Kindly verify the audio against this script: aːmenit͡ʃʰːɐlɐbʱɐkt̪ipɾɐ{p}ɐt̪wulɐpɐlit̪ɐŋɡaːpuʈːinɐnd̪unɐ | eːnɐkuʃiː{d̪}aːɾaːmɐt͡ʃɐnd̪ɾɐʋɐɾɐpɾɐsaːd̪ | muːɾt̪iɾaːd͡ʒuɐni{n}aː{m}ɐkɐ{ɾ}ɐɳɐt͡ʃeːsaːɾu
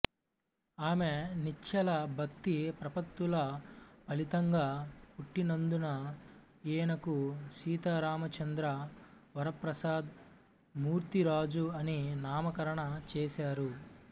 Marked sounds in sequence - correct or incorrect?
correct, incorrect: t̪, correct, correct, correct

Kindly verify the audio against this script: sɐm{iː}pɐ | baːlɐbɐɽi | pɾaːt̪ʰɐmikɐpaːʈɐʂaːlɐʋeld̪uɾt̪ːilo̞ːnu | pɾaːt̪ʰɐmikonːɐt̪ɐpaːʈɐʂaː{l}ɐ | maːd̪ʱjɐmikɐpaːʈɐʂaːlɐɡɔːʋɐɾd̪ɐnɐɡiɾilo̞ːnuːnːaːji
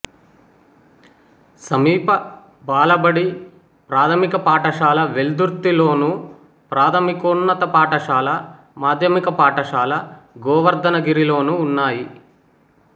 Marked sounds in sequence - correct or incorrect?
correct, correct

